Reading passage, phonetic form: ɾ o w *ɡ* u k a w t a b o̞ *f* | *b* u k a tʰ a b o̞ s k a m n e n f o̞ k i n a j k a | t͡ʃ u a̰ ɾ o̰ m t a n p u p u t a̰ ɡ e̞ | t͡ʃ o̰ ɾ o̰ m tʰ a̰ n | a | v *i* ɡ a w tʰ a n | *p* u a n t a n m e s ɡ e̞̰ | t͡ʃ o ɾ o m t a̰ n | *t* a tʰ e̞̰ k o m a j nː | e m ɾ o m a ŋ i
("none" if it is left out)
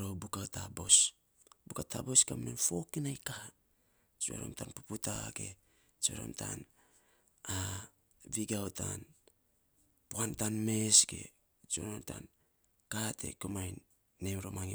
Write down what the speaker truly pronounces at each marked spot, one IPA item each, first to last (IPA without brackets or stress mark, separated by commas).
b, s, b, i, p, k